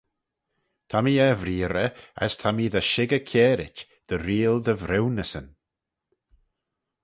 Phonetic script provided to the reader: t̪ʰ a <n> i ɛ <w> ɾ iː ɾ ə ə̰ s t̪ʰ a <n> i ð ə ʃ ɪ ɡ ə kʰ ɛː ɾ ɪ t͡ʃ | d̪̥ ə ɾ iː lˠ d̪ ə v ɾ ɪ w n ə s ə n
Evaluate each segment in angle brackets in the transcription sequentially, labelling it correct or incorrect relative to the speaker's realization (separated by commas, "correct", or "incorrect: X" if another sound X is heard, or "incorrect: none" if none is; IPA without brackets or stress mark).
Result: incorrect: m, incorrect: v, incorrect: m